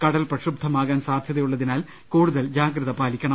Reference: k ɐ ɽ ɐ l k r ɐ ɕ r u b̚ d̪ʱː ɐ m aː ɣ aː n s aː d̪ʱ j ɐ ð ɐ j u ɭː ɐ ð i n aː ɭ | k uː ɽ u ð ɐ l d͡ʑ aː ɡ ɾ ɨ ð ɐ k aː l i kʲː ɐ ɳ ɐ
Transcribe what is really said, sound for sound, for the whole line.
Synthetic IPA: k ɐ ɽ ɐ l p r ɐ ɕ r u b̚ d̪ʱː ɐ m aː ɣ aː n s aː d̪ʱ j ɐ ð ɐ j u ɭː ɐ ð i n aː l | k uː ɽ u ð ɐ l d͡ʑ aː ɡ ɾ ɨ ð ɐ p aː l i kʲː ɐ ɳ ɐ